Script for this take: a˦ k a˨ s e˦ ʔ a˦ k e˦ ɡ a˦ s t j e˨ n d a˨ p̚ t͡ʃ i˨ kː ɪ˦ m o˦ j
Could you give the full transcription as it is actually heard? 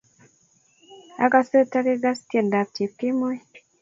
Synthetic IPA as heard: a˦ k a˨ s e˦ t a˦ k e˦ ɡ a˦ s t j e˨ n d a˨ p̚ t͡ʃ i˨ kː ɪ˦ m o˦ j